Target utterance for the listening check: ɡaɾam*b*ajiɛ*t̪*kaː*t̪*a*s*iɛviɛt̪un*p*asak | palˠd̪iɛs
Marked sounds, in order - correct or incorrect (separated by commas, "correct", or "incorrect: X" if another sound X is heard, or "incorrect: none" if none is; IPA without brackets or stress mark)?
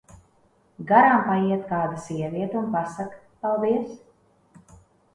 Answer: incorrect: p, correct, incorrect: d̪, correct, correct